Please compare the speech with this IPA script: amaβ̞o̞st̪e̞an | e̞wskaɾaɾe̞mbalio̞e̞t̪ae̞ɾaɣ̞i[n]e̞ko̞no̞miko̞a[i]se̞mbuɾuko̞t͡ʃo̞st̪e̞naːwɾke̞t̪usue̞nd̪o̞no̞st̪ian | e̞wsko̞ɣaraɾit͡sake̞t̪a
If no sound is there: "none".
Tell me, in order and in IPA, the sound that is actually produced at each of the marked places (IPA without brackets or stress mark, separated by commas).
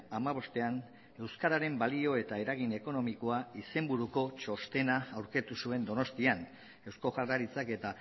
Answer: n, i